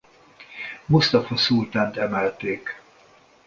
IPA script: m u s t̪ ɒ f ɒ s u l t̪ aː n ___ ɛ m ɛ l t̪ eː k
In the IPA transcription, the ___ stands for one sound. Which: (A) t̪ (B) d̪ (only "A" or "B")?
A